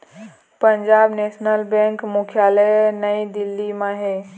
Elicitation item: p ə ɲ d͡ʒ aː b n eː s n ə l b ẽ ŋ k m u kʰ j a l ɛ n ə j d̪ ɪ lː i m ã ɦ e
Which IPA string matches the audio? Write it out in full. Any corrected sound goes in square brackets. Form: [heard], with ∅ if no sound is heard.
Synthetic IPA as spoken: p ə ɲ d͡ʒ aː b n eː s n ə l b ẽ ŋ k m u kʰ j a l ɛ n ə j d̪ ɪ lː i m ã ɦ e

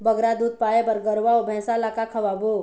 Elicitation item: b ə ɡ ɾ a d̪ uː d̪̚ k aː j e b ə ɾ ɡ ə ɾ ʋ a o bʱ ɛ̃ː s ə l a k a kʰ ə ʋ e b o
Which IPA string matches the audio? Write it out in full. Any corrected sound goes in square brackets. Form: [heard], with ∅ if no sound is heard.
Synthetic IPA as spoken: b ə ɡ ɾ a d̪ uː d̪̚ [p] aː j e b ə ɾ ɡ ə ɾ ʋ a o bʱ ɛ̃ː s [a] l a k a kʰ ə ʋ [a] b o

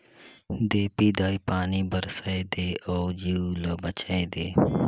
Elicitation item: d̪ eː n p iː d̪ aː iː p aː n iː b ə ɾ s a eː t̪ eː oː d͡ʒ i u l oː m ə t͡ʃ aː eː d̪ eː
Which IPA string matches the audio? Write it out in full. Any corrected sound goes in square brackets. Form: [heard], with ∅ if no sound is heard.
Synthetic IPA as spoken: d̪ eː [∅] p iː d̪ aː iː p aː n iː b ə ɾ s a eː [d̪] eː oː d͡ʒ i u l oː [b] ə t͡ʃ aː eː d̪ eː

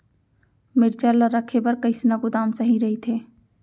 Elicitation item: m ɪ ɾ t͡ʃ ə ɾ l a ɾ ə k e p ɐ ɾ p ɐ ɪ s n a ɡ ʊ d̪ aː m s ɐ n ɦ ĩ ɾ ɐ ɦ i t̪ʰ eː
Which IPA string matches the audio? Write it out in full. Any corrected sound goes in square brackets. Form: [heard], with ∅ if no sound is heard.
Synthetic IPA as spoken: m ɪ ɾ t͡ʃ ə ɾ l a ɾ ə [kʰ] e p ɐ ɾ [k] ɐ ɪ s n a ɡ ʊ d̪ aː m s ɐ [∅] ɦ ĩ ɾ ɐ ɦ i t̪ʰ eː

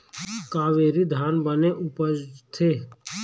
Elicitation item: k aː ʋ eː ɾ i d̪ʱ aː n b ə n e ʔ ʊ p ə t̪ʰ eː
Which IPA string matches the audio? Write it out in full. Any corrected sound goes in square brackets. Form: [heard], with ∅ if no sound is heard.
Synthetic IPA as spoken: k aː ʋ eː ɾ i d̪ʱ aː n b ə n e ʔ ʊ p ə t̪ʰ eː

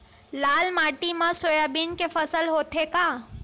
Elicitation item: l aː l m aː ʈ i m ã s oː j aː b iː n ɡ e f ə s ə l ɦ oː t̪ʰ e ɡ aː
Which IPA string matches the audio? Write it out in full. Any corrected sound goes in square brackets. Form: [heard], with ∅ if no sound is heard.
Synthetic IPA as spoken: l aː l m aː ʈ i m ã s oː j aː b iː n [k] e f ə s ə l ɦ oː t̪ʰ e [k] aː

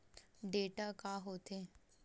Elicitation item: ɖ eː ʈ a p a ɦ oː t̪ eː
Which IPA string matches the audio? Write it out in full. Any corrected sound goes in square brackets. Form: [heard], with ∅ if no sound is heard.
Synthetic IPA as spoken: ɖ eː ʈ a [k] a ɦ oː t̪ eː

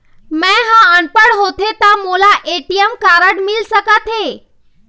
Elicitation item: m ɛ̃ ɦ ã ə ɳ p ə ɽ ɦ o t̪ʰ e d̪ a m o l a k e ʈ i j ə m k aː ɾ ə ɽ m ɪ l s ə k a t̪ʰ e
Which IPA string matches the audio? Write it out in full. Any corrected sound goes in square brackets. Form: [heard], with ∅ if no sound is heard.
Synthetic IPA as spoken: m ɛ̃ ɦ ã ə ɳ p ə ɽ ɦ o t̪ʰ e [t̪] a m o l a [ʔ] e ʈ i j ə m k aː ɾ ə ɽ m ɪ l s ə k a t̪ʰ e

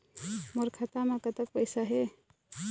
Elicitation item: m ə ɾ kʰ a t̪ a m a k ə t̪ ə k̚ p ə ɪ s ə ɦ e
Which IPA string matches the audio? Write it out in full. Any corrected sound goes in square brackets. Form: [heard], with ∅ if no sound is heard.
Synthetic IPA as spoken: m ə ɾ kʰ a t̪ a m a k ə t̪ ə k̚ p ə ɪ s [a] ɦ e

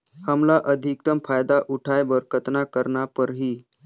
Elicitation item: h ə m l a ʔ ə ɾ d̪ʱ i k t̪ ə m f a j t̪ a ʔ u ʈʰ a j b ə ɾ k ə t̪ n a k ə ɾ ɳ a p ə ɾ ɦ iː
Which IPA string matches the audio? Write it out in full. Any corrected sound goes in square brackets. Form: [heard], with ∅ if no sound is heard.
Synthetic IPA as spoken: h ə m l a ʔ ə [∅] d̪ʱ i k t̪ ə m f a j [d̪] a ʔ u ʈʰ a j b ə ɾ k ə t̪ n a k ə ɾ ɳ a p ə ɾ ɦ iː

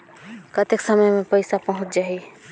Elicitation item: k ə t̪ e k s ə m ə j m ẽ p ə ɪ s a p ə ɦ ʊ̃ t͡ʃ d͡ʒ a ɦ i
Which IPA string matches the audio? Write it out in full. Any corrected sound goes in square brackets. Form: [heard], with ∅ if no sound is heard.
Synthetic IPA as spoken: k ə t̪ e k s ə m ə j m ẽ p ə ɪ s a p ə ɦ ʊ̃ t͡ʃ d͡ʒ a ɦ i

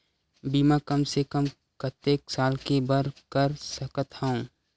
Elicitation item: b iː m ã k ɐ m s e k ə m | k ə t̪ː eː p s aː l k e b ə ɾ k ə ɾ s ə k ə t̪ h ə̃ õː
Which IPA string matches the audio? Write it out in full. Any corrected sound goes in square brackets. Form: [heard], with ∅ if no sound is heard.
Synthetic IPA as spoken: b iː m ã k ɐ m s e k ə m | k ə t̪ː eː [k] s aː l k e b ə ɾ k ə ɾ s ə k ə t̪ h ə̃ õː

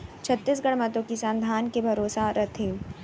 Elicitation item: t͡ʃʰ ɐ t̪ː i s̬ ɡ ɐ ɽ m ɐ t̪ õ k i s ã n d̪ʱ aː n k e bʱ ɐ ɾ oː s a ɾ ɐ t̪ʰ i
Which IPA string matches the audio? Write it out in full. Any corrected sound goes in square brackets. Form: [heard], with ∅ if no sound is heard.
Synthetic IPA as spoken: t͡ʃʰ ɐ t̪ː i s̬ ɡ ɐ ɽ m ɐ t̪ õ k i s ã n d̪ʱ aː n k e bʱ ɐ ɾ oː s a ɾ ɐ t̪ʰ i

